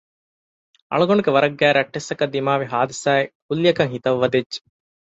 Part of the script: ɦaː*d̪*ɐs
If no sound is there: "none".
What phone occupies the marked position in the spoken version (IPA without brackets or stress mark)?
d̪